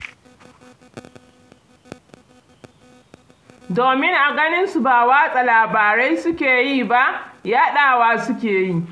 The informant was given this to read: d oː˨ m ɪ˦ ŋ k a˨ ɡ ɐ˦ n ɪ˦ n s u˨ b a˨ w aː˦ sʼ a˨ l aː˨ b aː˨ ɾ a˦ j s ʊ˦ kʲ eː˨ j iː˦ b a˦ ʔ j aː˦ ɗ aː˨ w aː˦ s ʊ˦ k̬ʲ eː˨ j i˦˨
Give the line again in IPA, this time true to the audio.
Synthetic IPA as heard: d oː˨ m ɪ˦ ŋ ʔ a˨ ɡ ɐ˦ n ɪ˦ n s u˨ b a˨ w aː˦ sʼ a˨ l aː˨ b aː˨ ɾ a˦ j s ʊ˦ kʲ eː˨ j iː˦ b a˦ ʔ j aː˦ ɗ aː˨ w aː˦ s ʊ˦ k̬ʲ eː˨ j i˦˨